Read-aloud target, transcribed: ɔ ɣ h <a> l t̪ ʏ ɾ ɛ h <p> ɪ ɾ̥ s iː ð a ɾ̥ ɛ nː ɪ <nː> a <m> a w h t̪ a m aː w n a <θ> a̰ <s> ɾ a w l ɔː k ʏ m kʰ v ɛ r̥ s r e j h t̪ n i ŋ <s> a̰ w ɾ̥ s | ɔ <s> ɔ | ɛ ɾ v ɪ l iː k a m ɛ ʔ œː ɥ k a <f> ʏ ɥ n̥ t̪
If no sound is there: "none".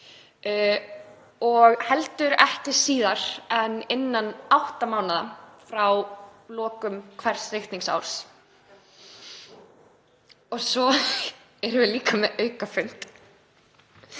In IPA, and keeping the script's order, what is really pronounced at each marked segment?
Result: ɛ, c, nː, n, ð, f, s, s, f

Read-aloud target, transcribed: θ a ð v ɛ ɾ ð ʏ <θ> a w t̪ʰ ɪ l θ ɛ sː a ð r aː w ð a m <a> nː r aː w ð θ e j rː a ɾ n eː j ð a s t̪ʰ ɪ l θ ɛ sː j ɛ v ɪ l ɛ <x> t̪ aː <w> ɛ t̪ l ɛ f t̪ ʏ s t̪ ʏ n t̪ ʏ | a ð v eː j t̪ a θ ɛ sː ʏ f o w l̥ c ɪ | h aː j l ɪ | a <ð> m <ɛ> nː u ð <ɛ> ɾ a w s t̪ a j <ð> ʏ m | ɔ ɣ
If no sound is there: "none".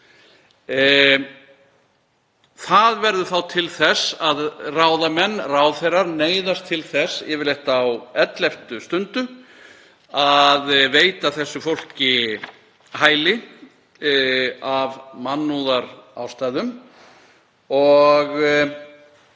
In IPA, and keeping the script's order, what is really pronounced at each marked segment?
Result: θ, ɛ, h, w, v, a, a, ð

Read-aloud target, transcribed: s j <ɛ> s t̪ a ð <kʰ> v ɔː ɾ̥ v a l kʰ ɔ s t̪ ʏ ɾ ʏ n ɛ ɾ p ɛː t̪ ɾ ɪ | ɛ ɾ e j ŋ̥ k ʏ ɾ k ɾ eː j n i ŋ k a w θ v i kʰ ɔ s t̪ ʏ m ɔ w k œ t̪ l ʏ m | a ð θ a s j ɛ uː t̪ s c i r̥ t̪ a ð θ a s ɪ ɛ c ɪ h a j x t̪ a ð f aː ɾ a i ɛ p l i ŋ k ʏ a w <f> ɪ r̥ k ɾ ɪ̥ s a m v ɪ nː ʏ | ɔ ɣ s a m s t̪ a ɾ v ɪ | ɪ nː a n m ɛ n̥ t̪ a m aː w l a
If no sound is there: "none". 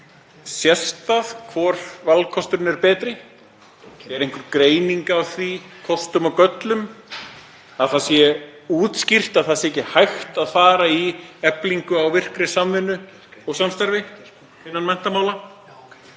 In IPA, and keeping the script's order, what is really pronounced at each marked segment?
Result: ɛ, kʰ, v

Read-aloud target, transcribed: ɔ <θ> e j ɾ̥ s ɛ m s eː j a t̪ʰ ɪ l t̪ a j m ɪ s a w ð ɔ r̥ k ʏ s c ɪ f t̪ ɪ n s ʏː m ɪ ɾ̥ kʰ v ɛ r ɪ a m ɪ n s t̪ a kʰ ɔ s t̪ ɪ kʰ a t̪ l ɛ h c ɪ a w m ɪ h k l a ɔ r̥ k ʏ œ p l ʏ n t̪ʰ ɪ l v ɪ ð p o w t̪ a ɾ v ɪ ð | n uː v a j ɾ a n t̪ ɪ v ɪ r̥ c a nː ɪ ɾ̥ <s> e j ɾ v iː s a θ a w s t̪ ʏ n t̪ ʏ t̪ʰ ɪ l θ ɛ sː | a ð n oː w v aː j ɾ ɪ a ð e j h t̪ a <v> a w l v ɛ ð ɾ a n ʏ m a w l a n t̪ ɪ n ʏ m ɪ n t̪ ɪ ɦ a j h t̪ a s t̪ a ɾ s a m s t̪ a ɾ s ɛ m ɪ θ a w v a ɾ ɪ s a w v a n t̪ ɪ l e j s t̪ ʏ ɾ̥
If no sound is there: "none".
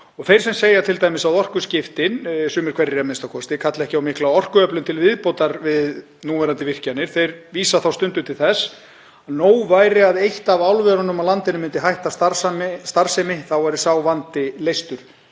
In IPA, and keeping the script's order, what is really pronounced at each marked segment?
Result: θ, θ, v

